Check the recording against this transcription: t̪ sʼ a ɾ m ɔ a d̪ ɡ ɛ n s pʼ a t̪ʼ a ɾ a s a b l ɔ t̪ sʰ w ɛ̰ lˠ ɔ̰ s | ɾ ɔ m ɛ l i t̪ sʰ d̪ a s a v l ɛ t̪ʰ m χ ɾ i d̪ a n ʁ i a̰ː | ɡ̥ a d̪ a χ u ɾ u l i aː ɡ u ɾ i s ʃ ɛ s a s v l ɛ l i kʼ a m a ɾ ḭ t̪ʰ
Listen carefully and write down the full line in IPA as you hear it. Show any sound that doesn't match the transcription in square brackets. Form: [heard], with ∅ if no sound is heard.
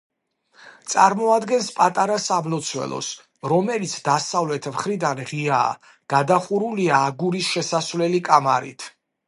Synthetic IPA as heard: t̪ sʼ a ɾ m ɔ a d̪ ɡ ɛ n s pʼ a t̪ʼ a ɾ a s a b l ɔ t̪ sʰ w ɛ̰ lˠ ɔ̰ s | ɾ ɔ m ɛ l i t̪ sʰ d̪ a s a v l ɛ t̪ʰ m χ ɾ i d̪ a n ʁ i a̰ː | ɡ̥ a d̪ a χ u ɾ u l i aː ɡ u ɾ i s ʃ ɛ s a s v l ɛ l i kʼ a m a ɾ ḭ t̪ʰ